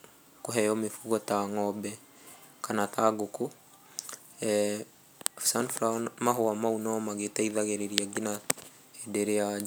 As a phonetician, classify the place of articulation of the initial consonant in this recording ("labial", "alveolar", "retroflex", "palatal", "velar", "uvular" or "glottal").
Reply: velar